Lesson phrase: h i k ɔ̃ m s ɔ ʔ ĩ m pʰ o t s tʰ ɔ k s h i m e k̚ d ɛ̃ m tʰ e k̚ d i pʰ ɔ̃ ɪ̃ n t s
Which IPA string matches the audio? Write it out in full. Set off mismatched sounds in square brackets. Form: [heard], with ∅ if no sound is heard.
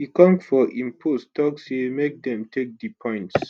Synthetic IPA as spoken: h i k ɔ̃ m [f] ɔ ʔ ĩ m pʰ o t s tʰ ɔ k s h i m e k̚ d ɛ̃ m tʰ e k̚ d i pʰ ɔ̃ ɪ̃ n t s

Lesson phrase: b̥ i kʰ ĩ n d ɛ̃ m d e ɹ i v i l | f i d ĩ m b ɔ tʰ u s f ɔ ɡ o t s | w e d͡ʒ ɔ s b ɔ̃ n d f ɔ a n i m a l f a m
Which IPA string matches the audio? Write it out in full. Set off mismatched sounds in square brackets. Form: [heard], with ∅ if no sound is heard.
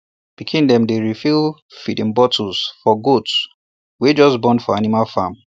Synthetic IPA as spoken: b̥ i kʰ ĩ n d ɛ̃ m d e ɹ i [f] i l | f i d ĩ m b ɔ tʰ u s f ɔ ɡ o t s | w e d͡ʒ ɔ s b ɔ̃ n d f ɔ a n i m a l f a m

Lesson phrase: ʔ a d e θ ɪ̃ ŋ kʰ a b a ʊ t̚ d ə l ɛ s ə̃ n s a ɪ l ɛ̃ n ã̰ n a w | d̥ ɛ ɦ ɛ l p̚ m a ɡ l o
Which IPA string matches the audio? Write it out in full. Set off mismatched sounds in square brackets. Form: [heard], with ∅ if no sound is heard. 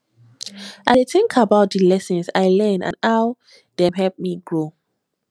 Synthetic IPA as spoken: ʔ a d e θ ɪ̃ ŋ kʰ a b a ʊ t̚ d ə l ɛ s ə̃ n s a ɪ l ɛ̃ n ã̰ n a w | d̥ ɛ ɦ ɛ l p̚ m [i] ɡ [ɹ] o

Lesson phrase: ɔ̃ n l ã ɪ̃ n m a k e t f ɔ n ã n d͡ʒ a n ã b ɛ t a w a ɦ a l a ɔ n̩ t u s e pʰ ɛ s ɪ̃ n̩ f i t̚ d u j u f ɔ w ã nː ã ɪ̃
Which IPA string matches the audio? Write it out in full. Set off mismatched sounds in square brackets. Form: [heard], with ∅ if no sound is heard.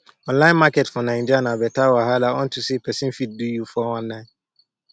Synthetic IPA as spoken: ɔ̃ n l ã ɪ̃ n m a k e t f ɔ n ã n d͡ʒ a n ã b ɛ t a w a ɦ a l a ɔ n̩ t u s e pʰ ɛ s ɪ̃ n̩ f i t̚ d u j u f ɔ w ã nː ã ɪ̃

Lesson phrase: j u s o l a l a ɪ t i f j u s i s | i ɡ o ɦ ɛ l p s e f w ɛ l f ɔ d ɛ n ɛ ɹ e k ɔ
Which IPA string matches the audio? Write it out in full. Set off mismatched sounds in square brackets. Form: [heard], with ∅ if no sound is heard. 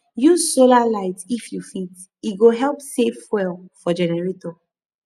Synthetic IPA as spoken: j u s o l a l a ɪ t i f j u [f] i [t] | i ɡ o ɦ ɛ l p s e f w ɛ l f ɔ [d͡ʒ] ɛ n ɛ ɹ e [t] ɔ

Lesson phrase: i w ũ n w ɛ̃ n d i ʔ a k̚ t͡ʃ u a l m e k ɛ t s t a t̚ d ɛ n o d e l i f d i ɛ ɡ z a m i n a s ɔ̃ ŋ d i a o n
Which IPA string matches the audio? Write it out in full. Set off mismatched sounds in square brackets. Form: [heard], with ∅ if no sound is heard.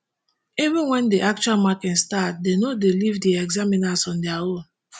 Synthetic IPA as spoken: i [v] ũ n w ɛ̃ n d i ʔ a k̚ t͡ʃ u a l m [a] k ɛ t s t a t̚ d [e] n o d e l i [v] d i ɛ ɡ z a m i n a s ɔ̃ [n] d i a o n

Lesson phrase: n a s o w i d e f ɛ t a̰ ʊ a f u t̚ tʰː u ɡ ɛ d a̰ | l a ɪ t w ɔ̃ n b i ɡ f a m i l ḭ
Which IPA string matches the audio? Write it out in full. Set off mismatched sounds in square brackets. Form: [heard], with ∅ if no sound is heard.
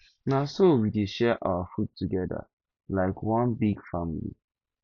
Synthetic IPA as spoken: n a s o w i d e [ʃ] ɛ [ʔ] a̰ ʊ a f u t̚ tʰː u ɡ ɛ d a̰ | l a ɪ [k] w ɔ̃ n b i ɡ f a m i l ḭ

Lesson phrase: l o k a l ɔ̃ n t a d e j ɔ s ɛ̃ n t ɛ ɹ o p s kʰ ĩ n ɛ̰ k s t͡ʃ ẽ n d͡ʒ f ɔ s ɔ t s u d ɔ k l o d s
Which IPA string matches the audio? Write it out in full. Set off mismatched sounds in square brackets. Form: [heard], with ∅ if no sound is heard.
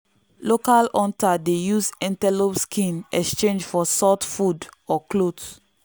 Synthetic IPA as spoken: l o k a l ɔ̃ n t a d e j [u] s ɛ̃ n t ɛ [l] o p s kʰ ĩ n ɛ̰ k s t͡ʃ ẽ n d͡ʒ f ɔ s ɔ t [f] u d ɔ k l o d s

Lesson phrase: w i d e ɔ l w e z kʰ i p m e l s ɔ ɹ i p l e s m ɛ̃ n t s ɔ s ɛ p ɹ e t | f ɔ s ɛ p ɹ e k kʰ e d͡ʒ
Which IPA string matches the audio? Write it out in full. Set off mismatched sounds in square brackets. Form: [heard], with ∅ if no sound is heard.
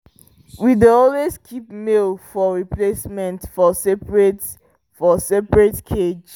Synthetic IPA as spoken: w i d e ɔ l w e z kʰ i p m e l [f] ɔ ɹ i p l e s m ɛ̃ n t [f] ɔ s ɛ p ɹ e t | f ɔ s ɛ p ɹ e [t] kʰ e d͡ʒ

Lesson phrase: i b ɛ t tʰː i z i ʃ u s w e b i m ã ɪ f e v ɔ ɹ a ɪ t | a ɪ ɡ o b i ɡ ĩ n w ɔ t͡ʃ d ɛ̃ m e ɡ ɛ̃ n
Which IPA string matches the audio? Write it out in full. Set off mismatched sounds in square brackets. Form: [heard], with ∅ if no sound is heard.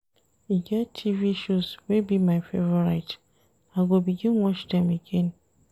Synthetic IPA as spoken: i [ɡ] ɛ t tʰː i [v] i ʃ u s w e b i m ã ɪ f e v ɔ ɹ a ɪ t | a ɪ ɡ o b i ɡ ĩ n w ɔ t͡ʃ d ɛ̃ m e ɡ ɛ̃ n

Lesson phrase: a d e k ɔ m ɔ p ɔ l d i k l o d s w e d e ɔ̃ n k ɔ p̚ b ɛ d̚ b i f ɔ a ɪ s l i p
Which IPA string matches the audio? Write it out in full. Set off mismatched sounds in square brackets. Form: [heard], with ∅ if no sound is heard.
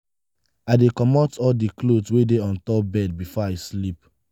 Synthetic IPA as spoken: a d e k ɔ m ɔ [t] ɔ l d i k l o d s w e d e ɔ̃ n [t] ɔ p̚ b ɛ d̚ b i f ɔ a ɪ s l i p

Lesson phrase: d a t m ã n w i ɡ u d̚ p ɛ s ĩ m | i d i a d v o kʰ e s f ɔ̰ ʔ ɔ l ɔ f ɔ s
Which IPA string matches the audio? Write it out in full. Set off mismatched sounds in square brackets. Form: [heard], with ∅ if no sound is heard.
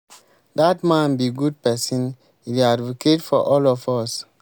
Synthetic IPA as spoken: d a t m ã n [b] i ɡ u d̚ p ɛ s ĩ [n] | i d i a d v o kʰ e [t] f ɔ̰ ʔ ɔ l ɔ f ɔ s

